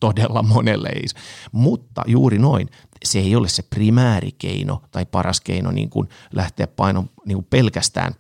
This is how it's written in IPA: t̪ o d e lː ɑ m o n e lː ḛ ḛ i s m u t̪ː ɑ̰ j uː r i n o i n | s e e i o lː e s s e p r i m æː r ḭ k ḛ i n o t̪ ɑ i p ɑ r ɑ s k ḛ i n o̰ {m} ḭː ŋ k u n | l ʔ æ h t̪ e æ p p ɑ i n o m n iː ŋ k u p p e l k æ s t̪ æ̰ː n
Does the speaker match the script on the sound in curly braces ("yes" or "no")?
no